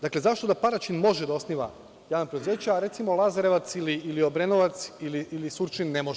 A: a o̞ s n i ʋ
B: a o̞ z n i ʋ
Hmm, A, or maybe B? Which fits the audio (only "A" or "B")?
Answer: A